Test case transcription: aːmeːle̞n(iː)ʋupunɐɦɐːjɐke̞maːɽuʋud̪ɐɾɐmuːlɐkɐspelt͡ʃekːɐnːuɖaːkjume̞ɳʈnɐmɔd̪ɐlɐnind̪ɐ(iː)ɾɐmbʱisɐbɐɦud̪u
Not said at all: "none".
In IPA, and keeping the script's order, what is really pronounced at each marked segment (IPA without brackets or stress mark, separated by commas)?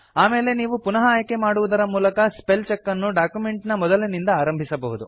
iː, aː